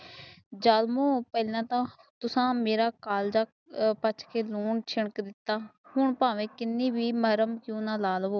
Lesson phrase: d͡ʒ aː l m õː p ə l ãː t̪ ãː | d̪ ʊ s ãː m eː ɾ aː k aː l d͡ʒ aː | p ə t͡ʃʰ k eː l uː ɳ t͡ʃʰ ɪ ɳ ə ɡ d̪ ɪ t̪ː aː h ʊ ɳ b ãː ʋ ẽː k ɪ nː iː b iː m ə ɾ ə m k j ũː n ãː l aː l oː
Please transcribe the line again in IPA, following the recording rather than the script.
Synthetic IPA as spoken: d͡ʒ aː l m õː p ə l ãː t̪ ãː | t̪ ʊ s ãː m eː ɾ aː k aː l d͡ʒ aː | p ə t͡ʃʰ k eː l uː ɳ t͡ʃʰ ɪ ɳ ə k d̪ ɪ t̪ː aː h ʊ ɳ p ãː ʋ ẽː k ɪ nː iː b iː m ə ɾ ə m k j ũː n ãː l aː l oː